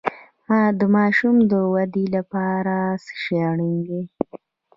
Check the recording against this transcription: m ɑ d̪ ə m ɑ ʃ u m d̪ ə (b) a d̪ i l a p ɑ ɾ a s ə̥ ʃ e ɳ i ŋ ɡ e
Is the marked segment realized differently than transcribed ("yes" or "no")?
yes